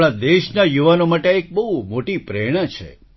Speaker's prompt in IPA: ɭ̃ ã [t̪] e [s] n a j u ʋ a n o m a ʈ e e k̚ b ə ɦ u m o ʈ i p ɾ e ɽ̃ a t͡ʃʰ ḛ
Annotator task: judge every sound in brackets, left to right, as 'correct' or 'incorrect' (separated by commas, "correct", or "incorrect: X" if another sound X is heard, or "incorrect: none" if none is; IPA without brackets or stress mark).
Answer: incorrect: d̪, incorrect: ʃ